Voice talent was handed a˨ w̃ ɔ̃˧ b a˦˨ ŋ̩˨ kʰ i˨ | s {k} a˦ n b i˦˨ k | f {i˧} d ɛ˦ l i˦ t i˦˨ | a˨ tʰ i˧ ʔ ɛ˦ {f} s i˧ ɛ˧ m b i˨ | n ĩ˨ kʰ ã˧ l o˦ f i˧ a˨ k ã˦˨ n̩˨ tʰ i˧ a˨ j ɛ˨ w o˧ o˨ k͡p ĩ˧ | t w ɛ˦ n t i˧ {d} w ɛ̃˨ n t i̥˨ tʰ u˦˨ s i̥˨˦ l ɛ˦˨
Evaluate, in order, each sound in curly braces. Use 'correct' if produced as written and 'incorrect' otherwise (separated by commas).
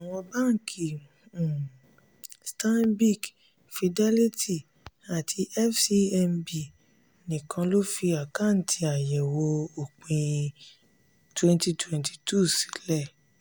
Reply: incorrect, correct, correct, incorrect